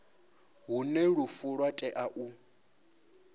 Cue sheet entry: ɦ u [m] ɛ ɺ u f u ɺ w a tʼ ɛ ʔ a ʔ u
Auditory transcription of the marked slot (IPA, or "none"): n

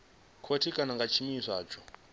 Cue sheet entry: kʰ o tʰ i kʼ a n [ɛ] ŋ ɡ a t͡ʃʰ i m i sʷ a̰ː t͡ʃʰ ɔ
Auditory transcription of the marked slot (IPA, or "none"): a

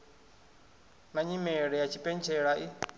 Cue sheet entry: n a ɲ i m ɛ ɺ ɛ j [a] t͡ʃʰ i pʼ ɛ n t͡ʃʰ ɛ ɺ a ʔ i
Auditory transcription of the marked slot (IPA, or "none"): a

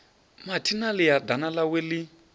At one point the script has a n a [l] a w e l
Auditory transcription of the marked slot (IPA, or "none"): l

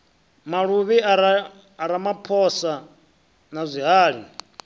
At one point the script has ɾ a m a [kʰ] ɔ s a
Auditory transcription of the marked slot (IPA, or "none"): pʰ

